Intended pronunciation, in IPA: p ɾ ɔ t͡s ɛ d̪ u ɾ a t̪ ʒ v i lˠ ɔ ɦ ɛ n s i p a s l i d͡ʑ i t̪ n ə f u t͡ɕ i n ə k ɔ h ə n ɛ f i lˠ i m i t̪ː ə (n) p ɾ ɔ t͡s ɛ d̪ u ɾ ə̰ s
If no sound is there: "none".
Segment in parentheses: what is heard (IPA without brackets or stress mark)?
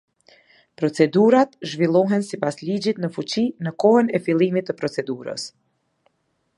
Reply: none